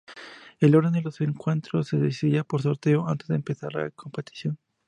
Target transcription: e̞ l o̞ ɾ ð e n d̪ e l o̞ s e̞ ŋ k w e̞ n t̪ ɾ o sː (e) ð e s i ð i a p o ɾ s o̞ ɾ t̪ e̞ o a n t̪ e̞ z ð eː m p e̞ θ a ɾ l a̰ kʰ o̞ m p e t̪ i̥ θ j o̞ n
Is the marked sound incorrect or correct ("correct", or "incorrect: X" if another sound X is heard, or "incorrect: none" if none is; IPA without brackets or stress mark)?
correct